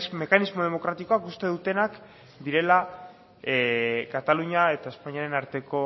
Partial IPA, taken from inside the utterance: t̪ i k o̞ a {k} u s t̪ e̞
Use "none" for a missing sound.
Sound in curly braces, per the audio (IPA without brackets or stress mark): k